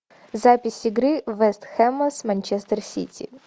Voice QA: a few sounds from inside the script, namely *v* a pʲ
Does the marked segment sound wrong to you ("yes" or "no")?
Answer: yes